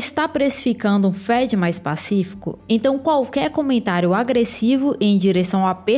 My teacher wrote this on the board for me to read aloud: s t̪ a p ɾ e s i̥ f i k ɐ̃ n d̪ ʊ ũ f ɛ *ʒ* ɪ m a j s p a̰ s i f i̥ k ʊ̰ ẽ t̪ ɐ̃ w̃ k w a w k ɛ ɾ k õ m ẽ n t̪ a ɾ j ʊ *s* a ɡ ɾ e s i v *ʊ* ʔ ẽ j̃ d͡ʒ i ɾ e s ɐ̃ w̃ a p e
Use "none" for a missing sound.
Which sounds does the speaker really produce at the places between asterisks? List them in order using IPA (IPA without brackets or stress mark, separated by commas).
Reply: d͡ʒ, none, ʊ